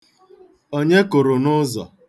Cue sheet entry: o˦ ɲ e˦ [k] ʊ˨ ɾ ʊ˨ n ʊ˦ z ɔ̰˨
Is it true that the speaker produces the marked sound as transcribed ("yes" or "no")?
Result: yes